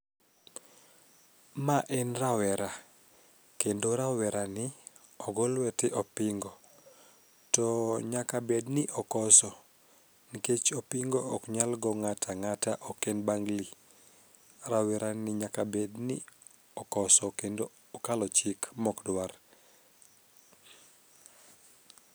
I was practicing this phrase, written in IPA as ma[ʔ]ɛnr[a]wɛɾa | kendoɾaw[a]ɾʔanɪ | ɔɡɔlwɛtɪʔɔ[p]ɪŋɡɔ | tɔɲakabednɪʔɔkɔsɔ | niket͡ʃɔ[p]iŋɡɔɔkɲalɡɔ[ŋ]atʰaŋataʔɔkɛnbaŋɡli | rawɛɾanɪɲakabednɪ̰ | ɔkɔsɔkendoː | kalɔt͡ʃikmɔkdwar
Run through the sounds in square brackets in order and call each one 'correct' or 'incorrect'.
correct, correct, incorrect: ɛ, correct, correct, correct

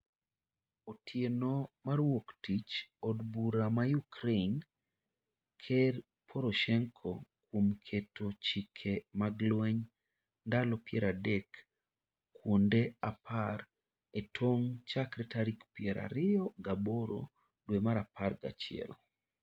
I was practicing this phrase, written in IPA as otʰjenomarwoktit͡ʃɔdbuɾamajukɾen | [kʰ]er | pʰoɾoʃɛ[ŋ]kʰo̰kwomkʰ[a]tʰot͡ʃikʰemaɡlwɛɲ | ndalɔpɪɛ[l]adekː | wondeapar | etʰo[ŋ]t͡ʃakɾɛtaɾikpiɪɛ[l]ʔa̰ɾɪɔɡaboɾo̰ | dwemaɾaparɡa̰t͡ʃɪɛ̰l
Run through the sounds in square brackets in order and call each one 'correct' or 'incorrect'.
correct, correct, incorrect: e, incorrect: ɾ, correct, incorrect: ɾ

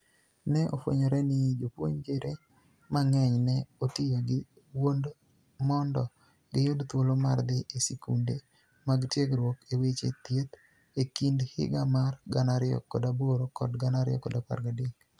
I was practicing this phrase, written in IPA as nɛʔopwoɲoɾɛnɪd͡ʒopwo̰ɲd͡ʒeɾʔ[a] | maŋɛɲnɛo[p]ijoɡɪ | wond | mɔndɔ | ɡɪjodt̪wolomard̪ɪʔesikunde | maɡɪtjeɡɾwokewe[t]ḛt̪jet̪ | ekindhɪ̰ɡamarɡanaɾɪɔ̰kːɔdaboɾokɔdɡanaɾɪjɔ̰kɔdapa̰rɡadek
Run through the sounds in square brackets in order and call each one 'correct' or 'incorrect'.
incorrect: e, incorrect: t, incorrect: t͡ʃ

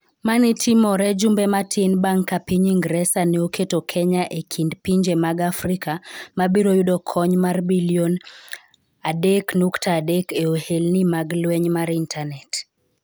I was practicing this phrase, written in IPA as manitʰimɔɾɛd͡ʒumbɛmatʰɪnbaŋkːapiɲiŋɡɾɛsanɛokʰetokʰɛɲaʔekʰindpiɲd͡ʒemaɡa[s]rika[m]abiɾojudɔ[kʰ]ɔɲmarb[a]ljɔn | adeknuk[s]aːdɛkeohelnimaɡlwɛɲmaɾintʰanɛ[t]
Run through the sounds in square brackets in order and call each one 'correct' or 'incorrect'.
incorrect: f, correct, correct, incorrect: i, incorrect: t, correct

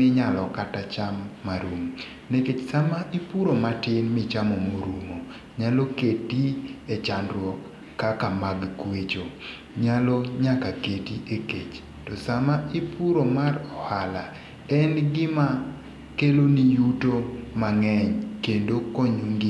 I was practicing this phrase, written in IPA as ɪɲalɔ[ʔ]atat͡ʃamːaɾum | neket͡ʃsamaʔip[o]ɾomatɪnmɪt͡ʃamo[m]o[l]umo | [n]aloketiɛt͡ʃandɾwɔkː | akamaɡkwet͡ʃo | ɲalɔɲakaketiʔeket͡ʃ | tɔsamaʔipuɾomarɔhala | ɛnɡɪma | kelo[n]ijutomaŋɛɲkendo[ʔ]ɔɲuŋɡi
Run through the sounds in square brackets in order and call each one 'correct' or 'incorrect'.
incorrect: k, incorrect: u, correct, incorrect: ɾ, incorrect: ɲ, correct, incorrect: k

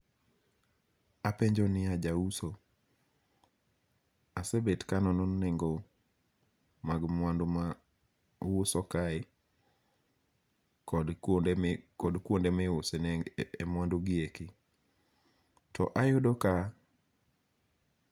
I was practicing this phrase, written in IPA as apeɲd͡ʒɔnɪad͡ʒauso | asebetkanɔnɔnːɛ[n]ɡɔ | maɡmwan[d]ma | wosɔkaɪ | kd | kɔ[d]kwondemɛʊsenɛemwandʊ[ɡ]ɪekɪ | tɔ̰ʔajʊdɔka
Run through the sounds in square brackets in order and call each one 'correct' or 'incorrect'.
incorrect: ŋ, correct, correct, correct

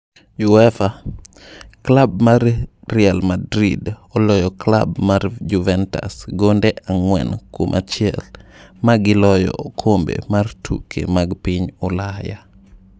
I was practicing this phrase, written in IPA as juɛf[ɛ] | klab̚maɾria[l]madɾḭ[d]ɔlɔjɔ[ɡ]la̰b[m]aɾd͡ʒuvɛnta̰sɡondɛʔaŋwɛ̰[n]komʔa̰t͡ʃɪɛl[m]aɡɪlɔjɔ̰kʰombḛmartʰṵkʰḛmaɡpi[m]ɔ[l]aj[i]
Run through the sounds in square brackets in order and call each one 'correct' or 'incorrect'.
incorrect: a, correct, correct, incorrect: k, correct, correct, correct, incorrect: ɲ, correct, incorrect: a

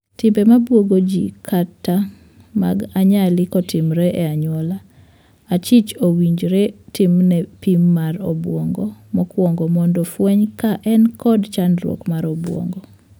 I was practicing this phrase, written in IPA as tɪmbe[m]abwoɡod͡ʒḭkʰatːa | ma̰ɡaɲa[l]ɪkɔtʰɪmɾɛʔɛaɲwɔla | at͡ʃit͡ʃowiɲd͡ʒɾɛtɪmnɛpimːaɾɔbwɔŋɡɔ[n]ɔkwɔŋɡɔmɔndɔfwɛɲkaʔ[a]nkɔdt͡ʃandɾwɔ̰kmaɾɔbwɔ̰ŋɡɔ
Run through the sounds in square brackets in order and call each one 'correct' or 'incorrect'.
correct, correct, incorrect: m, incorrect: ɛ

